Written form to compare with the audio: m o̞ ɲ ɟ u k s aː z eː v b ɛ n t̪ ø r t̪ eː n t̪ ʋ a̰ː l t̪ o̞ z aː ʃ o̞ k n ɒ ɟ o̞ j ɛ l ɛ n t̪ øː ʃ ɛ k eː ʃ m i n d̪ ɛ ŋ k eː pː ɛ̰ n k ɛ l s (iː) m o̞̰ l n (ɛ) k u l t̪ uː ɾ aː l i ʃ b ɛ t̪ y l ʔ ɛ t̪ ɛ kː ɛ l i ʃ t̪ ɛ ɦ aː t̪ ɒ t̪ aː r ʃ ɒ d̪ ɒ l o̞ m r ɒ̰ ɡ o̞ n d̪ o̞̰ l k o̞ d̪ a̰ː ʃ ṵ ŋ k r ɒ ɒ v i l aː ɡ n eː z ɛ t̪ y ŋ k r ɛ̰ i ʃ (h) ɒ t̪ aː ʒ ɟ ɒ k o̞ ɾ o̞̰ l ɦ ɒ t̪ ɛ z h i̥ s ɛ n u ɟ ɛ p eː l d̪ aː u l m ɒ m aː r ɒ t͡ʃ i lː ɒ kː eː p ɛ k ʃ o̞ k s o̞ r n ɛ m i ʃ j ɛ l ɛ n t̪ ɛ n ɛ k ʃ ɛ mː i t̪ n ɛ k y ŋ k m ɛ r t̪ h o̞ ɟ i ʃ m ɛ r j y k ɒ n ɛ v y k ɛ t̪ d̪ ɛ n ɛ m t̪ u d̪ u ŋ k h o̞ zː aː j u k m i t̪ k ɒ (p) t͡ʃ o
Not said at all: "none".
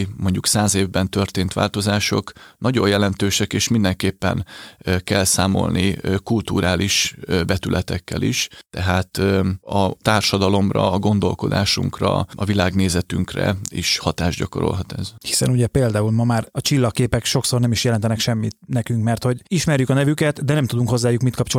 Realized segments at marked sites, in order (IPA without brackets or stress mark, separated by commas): aː, i, h, p